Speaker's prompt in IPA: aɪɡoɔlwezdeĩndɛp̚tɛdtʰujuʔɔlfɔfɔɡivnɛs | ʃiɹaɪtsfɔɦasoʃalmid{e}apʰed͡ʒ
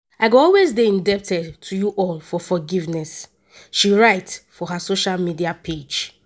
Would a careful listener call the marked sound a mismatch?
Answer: yes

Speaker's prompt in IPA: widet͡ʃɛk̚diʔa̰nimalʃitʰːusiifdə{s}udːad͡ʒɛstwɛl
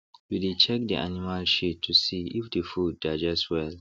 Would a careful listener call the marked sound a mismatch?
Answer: yes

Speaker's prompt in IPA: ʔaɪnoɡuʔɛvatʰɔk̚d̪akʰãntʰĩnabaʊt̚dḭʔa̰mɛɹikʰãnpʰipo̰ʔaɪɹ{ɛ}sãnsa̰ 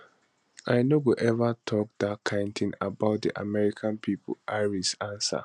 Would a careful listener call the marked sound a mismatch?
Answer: yes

